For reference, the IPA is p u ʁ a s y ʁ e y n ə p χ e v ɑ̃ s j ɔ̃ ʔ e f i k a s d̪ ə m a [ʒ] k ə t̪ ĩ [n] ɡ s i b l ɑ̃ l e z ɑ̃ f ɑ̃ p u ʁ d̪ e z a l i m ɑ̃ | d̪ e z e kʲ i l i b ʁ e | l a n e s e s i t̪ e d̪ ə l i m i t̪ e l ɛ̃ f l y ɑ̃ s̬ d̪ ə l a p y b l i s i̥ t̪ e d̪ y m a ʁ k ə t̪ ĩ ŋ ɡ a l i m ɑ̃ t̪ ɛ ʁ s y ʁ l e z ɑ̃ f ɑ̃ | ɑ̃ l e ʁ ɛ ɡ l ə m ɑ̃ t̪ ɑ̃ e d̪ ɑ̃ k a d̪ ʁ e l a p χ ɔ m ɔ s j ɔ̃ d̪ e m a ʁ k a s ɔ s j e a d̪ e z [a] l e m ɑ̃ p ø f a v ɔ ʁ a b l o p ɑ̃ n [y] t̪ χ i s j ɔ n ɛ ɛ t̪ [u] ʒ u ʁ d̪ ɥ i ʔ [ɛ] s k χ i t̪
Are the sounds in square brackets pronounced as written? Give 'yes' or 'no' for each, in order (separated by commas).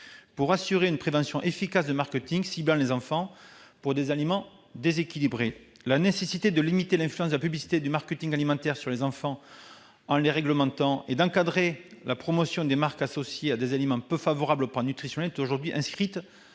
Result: no, no, yes, yes, no, no